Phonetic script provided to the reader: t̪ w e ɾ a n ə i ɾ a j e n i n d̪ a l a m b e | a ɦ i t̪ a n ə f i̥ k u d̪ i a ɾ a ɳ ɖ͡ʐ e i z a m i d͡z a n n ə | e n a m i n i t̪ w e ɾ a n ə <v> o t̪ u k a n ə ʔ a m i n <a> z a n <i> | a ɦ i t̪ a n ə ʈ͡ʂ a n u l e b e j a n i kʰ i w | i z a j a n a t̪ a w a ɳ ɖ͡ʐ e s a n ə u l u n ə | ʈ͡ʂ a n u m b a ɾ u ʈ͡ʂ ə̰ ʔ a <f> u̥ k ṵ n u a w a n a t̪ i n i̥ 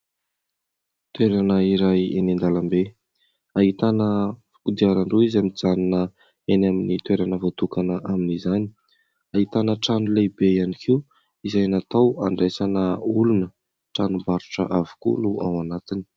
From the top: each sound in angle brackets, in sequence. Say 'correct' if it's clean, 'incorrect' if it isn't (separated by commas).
correct, incorrect, correct, incorrect